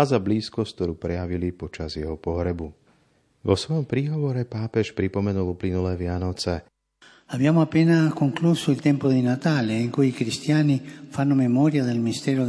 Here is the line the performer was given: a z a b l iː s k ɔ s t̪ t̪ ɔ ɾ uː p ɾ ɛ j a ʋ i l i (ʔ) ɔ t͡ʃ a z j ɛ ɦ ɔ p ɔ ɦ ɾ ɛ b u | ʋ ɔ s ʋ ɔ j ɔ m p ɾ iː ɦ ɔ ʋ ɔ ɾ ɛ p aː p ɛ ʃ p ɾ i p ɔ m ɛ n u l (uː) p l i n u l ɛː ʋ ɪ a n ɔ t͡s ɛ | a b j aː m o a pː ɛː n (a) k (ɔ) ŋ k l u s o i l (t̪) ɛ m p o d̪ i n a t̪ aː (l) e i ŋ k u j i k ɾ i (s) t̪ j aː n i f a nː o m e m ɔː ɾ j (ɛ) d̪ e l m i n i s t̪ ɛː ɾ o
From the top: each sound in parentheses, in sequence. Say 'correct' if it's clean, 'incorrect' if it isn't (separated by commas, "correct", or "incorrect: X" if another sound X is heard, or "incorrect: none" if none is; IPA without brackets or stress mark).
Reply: incorrect: p, incorrect: u, correct, incorrect: o, correct, correct, correct, incorrect: a